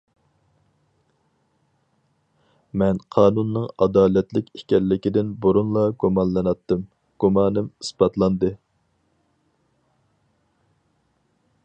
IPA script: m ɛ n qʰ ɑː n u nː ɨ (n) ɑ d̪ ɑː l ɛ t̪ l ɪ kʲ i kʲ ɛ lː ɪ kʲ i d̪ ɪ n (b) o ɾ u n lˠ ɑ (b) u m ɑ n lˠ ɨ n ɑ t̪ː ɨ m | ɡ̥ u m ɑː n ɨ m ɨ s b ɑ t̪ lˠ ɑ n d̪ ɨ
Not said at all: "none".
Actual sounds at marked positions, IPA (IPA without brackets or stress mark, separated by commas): ŋ, b, ɡ